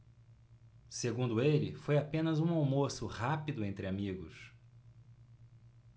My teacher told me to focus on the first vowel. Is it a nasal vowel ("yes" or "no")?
no